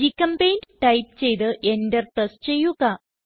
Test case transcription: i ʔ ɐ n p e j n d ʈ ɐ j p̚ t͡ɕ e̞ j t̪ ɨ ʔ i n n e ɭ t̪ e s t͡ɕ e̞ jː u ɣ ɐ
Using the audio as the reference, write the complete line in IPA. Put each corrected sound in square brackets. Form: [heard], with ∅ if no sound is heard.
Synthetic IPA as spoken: i [k] ɐ [m] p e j n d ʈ ɐ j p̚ t͡ɕ e̞ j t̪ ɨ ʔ [e] n [d] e [r] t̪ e s t͡ɕ e̞ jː u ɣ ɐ